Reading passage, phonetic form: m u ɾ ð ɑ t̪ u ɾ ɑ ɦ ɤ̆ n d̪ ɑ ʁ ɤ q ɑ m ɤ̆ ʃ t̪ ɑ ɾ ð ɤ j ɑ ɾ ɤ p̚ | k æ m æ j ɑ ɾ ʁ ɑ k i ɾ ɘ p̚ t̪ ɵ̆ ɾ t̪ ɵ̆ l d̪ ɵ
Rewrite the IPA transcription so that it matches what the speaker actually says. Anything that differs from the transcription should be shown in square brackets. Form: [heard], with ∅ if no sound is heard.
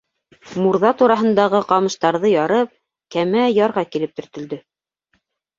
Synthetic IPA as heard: m u ɾ ð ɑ t̪ u ɾ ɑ ɦ ɤ̆ n d̪ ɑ ʁ ɤ q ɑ m ɤ̆ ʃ t̪ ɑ ɾ ð ɤ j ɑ ɾ ɤ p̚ | k æ m æ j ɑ ɾ ʁ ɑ k i [l] ɘ p̚ t̪ ɵ̆ ɾ t̪ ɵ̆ l d̪ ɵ